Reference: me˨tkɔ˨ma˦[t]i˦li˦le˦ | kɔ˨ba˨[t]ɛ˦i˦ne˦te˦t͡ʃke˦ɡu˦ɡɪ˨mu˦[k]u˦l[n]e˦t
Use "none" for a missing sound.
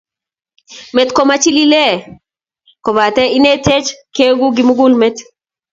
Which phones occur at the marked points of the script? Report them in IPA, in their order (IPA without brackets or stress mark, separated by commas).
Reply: t͡ʃ, t, ɡ, m